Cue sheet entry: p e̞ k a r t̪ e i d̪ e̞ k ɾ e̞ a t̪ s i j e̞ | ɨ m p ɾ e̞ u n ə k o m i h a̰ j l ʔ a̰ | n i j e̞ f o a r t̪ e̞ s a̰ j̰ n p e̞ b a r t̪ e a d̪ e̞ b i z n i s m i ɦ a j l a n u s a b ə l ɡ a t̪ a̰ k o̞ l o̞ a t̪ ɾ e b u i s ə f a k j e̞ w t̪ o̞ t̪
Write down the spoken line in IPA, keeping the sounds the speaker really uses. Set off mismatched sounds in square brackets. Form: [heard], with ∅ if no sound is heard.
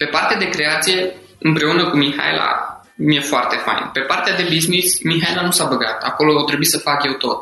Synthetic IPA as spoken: p e̞ [p] a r t̪ e [a] d̪ e̞ k ɾ e̞ a t̪ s i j e̞ | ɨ m p ɾ e̞ u n ə k [u] m i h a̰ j l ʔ a̰ | [m] i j e̞ f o a r t̪ e̞ [f] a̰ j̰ n p e̞ [p] a r t̪ e a d̪ e̞ b i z n i s m i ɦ a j l a n u s a b ə [∅] ɡ a t̪ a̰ k o̞ l o̞ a t̪ ɾ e b u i s ə f a k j e̞ w t̪ o̞ t̪